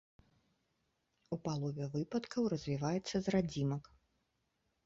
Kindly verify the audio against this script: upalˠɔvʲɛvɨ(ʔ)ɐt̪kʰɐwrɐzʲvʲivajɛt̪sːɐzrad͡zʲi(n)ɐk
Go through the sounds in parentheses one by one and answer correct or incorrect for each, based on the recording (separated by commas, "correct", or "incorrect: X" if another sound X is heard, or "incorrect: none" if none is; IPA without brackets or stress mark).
incorrect: p, incorrect: m